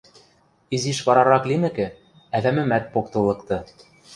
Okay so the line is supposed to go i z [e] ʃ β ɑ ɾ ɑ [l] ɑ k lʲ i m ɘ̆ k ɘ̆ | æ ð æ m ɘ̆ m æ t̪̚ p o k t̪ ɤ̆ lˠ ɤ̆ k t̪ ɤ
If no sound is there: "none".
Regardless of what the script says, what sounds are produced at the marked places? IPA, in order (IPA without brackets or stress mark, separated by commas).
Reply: i, ɾ